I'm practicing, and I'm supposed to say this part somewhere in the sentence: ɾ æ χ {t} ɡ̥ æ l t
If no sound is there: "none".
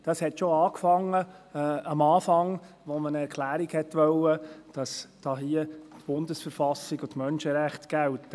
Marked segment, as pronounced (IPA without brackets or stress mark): t